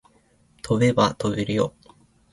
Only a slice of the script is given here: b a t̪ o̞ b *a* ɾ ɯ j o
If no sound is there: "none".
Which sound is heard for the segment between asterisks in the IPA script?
e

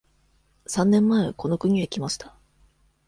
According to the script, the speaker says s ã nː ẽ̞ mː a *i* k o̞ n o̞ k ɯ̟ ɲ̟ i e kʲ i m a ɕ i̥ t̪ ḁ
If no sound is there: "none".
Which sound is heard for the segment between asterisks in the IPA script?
e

